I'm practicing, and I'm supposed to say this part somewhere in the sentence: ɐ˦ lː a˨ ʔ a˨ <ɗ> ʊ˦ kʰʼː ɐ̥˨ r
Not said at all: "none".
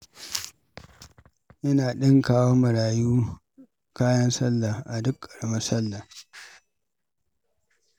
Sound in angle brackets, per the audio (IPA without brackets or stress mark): d